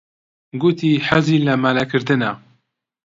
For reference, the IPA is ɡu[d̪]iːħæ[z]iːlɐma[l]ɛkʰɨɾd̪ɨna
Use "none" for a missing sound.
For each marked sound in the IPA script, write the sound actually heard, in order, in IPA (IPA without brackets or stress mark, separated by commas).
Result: t̪, z, l